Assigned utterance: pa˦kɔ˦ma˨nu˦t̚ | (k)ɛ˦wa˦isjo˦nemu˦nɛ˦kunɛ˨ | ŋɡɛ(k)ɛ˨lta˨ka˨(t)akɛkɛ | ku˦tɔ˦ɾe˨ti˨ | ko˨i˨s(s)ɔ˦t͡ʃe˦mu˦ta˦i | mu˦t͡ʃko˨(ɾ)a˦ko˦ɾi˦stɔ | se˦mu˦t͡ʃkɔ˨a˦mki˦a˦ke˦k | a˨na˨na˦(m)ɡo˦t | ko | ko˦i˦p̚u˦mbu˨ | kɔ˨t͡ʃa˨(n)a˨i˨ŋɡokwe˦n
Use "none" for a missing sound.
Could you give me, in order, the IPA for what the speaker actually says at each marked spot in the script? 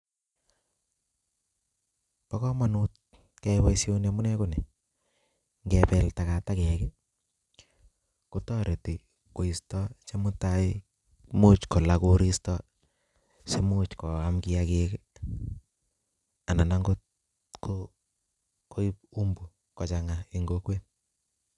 k, p, t, t, l, ŋ, ŋ

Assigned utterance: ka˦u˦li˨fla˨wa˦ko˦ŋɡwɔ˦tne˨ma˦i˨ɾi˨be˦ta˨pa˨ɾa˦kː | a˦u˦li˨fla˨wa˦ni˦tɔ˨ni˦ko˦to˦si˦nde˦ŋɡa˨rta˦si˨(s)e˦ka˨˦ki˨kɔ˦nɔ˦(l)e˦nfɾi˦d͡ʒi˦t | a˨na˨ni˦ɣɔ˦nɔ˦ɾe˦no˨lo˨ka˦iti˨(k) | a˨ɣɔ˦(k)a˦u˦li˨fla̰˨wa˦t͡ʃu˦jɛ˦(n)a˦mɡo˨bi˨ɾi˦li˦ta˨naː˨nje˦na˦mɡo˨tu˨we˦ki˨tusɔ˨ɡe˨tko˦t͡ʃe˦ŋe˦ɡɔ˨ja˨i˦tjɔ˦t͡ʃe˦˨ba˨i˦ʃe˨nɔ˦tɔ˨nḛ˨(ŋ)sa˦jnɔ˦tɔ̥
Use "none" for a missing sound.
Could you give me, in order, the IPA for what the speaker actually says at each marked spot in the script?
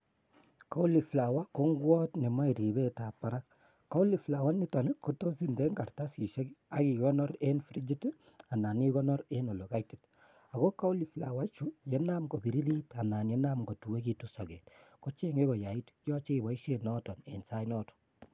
ʃ, ɾ, t, k, n, n

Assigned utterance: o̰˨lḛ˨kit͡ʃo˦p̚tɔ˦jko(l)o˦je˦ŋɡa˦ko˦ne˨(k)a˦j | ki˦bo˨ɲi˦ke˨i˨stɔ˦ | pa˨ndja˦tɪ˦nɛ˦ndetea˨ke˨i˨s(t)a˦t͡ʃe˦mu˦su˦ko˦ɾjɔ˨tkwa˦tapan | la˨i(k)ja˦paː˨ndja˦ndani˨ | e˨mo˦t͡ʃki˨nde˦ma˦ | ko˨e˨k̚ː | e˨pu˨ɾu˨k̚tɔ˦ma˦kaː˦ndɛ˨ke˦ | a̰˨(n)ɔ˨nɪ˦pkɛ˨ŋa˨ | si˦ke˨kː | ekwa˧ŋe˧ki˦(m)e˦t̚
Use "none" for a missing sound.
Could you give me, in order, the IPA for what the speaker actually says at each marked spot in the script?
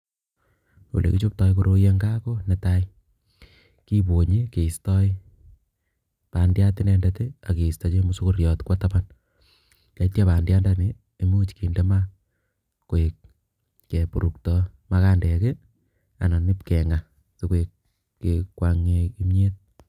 ɾ, t, t, t, n, m

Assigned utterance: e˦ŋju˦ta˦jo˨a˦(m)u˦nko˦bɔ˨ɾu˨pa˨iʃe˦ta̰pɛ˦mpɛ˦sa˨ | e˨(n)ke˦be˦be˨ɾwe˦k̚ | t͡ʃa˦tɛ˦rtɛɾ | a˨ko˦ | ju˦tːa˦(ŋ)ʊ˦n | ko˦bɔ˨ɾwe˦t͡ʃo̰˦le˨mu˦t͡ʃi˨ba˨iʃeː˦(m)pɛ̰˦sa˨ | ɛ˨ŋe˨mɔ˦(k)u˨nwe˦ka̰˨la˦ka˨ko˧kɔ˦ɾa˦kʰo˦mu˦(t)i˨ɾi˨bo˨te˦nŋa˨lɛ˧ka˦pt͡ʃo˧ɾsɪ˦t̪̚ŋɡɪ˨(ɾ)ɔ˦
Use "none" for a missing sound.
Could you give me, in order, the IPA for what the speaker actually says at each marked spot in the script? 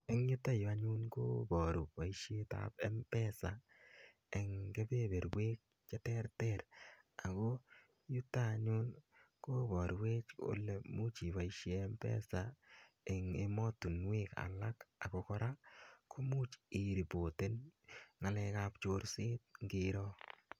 ɲ, ŋ, ɲ, m, t, t͡ʃ, ɾ

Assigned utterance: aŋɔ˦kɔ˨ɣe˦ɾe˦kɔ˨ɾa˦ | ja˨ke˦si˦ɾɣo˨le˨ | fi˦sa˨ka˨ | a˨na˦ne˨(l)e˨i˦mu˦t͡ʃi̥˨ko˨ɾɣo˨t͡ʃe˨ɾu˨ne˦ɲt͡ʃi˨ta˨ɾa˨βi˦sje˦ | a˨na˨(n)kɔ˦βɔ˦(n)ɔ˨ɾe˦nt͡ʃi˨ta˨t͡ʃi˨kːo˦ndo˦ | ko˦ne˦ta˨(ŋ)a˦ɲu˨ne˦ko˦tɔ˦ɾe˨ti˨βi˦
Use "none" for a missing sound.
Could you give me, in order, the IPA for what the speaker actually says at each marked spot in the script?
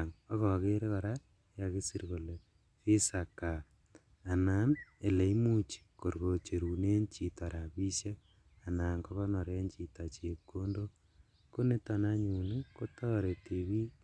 l, ŋ, n, n

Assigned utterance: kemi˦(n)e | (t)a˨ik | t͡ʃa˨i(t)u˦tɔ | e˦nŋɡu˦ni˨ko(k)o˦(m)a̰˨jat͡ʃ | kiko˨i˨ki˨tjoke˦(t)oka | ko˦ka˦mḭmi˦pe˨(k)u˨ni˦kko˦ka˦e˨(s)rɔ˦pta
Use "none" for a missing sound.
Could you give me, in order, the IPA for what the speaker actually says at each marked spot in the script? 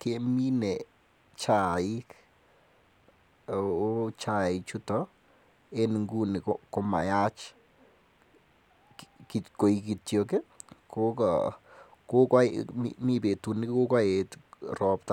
n, t͡ʃ, t͡ʃ, k, m, k, t, t

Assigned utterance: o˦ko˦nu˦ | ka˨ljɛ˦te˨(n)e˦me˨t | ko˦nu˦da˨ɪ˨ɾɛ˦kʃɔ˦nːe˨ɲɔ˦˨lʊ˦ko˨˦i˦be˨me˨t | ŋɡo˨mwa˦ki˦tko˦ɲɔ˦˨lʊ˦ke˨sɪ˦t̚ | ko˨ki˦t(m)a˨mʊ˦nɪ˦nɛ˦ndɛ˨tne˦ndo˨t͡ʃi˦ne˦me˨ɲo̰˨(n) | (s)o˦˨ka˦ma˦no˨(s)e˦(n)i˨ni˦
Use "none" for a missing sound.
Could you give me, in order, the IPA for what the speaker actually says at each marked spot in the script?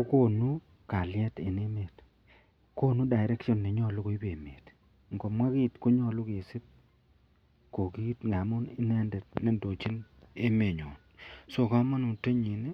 n, ŋ, n, s, t, ɲ

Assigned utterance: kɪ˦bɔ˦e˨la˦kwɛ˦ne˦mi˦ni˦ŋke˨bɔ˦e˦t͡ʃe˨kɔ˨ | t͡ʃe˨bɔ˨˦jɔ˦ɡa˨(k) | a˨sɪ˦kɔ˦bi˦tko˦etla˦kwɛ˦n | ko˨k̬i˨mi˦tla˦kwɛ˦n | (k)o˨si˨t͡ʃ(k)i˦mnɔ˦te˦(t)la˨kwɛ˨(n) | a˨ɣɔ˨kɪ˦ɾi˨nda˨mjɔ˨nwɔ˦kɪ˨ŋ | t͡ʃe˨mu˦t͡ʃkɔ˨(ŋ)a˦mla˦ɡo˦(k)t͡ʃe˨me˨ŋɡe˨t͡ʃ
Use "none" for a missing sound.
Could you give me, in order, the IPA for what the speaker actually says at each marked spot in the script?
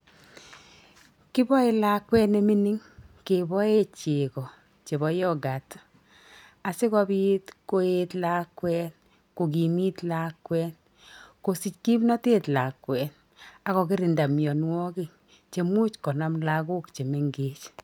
t, k, k, t, n, n, k

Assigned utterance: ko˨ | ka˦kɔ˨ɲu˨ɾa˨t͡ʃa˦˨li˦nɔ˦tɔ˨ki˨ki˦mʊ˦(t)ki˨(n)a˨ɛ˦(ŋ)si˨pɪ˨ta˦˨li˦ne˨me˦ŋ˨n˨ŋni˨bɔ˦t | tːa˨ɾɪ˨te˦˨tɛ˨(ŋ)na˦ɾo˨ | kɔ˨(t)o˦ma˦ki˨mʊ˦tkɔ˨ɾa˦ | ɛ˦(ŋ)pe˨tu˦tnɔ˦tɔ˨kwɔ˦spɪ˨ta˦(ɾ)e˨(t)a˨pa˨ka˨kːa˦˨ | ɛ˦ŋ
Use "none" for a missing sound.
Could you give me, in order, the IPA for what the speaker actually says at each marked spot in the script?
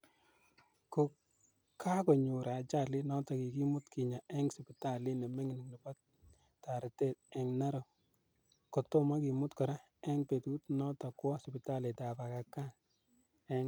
t, ɲ, ŋ, ŋ, t, ŋ, l, t

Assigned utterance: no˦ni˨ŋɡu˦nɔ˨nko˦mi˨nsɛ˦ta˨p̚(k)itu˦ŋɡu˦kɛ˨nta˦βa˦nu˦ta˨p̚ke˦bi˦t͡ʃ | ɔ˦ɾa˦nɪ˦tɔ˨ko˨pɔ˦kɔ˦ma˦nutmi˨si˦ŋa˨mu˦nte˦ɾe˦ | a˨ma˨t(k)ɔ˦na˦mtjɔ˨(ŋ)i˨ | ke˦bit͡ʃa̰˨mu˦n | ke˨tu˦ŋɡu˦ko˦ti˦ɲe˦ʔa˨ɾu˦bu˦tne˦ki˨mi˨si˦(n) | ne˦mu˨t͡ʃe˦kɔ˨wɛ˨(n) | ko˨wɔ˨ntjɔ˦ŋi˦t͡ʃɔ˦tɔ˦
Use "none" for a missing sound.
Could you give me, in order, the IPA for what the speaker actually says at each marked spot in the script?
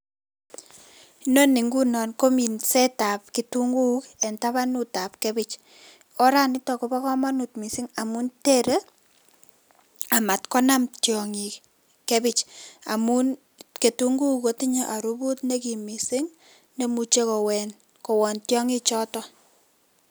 k, k, ŋ, ŋ, n

